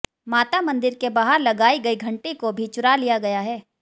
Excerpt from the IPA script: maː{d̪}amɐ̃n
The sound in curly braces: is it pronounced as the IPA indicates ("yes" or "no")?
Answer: no